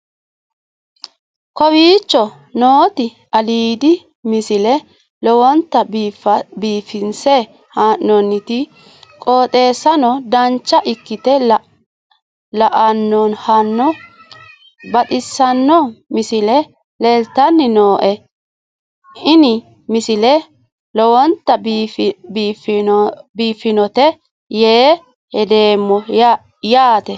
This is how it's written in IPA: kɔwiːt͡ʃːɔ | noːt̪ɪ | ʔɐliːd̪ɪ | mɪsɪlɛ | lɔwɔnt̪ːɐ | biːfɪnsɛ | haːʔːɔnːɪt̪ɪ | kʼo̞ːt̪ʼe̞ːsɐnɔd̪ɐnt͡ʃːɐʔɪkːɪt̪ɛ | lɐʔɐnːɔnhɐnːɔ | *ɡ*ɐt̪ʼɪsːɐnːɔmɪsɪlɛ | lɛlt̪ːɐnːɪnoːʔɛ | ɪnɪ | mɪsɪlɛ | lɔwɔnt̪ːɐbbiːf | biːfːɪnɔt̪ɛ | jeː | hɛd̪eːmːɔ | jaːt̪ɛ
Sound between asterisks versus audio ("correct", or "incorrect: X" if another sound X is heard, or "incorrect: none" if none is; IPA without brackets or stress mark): incorrect: b